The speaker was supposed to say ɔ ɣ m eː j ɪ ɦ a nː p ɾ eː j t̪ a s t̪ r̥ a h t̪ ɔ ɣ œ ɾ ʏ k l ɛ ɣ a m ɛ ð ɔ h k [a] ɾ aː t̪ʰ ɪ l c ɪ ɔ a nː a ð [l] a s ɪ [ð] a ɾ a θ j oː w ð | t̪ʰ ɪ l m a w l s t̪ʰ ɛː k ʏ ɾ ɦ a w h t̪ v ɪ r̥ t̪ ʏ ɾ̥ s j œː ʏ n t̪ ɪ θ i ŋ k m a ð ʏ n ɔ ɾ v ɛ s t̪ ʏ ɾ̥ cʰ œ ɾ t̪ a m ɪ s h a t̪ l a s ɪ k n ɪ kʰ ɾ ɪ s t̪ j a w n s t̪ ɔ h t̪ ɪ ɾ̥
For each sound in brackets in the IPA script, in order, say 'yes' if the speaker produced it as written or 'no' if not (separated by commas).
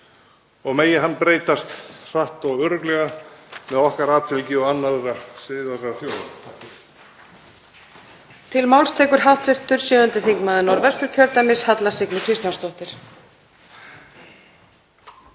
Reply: yes, no, yes